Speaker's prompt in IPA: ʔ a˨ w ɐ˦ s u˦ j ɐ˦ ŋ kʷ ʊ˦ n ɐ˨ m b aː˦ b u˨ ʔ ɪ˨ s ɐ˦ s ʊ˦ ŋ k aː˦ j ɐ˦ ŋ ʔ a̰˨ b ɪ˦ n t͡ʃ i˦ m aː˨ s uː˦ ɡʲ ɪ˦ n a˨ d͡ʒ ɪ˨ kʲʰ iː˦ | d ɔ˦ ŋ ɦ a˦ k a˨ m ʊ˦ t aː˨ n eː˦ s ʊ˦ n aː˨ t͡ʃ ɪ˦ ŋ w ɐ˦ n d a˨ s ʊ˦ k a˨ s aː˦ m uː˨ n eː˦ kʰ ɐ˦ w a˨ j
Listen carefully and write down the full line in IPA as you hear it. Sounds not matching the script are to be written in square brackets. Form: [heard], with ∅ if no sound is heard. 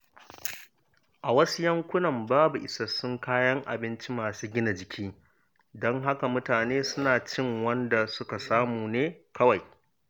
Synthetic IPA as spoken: ʔ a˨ w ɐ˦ s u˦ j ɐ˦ ŋ kʷ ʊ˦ n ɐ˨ m b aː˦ b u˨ ʔ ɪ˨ s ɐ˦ s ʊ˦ ŋ k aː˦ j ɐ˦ ŋ ʔ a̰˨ b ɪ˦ n t͡ʃ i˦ m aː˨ s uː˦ ɡʲ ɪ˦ n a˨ d͡ʒ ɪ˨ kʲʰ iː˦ | d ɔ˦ ŋ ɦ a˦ k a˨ m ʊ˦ t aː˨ n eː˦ s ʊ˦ n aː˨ t͡ʃ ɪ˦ ŋ w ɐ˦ n d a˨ s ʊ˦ k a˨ s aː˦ m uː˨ n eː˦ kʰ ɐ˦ w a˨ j

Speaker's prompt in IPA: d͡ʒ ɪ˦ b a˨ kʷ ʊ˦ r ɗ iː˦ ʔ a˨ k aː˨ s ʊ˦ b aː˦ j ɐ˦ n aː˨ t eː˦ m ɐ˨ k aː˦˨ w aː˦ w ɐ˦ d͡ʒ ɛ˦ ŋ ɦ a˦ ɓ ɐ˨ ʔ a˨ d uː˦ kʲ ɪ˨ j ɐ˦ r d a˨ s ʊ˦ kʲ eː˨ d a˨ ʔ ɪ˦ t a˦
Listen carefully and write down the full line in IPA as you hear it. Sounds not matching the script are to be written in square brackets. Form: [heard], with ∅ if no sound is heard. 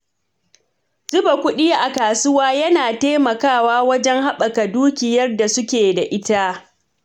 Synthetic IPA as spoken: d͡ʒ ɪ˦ b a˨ kʷ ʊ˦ [∅] ɗ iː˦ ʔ a˨ k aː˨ s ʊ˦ [w] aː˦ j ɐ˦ n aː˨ t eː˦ m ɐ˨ k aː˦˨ w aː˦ w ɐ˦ d͡ʒ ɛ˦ ŋ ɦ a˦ ɓ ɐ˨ [k] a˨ d uː˦ kʲ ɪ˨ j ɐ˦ r d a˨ s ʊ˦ kʲ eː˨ d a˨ ʔ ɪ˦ t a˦

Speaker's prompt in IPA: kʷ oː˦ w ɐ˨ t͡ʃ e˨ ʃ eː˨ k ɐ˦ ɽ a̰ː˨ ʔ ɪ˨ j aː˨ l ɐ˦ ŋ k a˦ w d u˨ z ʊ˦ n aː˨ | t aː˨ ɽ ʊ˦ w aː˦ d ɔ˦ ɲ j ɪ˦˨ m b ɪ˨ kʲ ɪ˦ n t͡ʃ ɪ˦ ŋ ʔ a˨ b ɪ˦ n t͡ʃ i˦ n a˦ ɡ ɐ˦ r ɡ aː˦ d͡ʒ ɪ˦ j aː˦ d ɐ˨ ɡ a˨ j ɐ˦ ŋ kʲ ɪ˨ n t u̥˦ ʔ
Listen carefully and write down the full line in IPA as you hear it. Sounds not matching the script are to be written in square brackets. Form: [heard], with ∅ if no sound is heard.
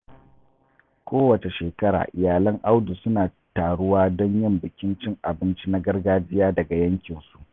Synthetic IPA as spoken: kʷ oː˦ w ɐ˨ t͡ʃ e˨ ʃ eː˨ k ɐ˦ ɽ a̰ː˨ ʔ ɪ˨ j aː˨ l ɐ˦ ŋ [ʔ] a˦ w d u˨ [s] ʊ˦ n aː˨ | t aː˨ ɽ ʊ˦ w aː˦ d ɔ˦ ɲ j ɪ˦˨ m b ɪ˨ kʲ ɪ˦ n t͡ʃ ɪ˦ ŋ ʔ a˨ b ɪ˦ n t͡ʃ i˦ n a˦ ɡ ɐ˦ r ɡ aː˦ d͡ʒ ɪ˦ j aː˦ d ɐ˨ ɡ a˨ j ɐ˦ ŋ kʲ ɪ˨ n [s] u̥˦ ʔ

